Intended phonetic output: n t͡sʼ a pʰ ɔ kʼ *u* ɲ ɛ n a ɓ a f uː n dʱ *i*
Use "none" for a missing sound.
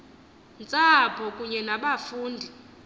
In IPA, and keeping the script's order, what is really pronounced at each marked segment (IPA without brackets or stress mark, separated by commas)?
u, i